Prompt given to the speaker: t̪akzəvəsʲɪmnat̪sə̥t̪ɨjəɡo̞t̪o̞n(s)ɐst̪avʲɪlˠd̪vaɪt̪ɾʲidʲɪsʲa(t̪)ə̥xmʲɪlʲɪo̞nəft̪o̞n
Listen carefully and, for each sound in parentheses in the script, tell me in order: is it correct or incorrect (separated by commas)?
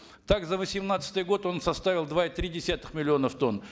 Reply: correct, correct